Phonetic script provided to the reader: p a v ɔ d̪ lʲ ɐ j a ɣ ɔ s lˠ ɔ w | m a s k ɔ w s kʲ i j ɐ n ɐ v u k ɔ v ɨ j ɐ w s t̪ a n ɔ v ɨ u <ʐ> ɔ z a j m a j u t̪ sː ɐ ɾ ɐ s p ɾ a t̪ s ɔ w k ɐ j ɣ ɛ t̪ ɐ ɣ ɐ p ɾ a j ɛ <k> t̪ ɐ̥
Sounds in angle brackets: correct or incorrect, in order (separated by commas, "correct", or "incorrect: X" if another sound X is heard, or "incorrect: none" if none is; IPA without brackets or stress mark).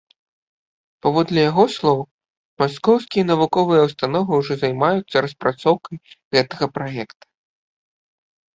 correct, correct